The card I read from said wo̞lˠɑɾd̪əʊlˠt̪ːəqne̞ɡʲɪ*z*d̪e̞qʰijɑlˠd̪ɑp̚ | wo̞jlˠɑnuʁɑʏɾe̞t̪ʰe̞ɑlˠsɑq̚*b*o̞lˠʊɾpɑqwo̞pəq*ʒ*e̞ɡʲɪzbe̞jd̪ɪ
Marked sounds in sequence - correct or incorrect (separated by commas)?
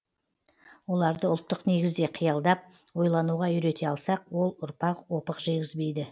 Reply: correct, incorrect, correct